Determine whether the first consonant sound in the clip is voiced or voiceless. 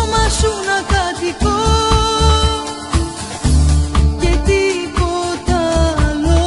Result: voiced